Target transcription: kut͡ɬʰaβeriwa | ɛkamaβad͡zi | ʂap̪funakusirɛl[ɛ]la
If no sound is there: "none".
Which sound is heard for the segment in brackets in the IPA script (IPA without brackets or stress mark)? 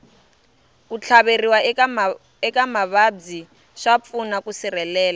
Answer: ɛː